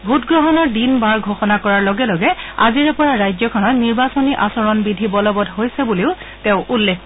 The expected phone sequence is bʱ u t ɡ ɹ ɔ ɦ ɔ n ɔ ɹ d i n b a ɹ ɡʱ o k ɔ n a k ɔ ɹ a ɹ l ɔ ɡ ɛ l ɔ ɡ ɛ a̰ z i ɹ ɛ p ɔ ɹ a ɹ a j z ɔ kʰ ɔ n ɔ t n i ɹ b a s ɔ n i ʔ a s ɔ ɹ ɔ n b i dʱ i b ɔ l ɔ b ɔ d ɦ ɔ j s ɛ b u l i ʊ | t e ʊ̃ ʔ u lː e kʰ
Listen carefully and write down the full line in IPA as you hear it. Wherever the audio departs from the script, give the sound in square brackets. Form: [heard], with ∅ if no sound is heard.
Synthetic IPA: bʱ u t ɡ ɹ ɔ ɦ ɔ n ɔ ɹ d i n b a ɹ ɡʱ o [x] ɔ n a k ɔ ɹ a ɹ l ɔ ɡ ɛ l ɔ ɡ ɛ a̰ z i ɹ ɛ p ɔ ɹ a ɹ a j z ɔ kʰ ɔ n ɔ t n i ɹ b a s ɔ n i ʔ a s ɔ ɹ ɔ n b i dʱ i b ɔ l ɔ b ɔ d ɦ [o] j s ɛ b u l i ʊ | t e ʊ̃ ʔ u lː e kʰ